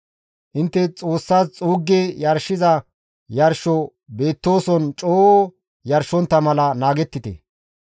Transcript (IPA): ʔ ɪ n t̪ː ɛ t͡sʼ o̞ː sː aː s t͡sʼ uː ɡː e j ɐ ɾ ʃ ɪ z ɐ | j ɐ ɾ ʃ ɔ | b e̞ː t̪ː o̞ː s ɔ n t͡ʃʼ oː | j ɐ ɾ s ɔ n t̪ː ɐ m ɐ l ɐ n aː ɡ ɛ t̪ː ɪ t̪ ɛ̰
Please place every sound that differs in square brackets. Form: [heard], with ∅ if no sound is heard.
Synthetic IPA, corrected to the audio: ʔ ɪ n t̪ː ɛ t͡sʼ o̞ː sː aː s t͡sʼ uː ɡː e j ɐ ɾ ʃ ɪ z ɐ | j ɐ ɾ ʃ ɔ | b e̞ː t̪ː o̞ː s ɔ n t͡ʃʼ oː | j ɐ ɾ [ʃ] ɔ n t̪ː ɐ m ɐ l ɐ n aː ɡ ɛ t̪ː ɪ t̪ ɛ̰